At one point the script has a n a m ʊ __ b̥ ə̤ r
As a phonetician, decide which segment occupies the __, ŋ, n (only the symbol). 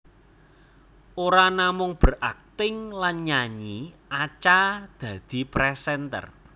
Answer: ŋ